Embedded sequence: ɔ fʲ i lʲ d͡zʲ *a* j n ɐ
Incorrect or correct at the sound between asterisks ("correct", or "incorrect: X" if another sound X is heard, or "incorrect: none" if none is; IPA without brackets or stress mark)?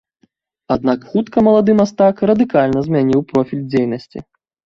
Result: incorrect: e